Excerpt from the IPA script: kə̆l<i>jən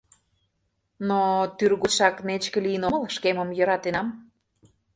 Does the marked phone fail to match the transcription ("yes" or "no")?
no